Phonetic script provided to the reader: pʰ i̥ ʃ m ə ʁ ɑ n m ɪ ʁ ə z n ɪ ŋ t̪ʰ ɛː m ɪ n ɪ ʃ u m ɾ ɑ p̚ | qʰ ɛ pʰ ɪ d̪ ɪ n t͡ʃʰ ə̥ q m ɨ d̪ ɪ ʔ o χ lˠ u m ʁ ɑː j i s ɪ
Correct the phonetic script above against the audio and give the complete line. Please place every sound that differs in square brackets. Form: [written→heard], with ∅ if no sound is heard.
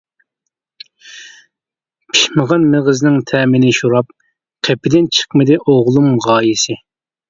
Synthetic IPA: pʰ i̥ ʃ m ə ʁ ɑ n m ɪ ʁ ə z n ɪ ŋ t̪ʰ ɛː m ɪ n ɪ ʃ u [m→∅] ɾ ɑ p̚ | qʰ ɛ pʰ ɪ d̪ ɪ n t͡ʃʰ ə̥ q m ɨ d̪ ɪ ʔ o [χ→ʁ] lˠ u m ʁ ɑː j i s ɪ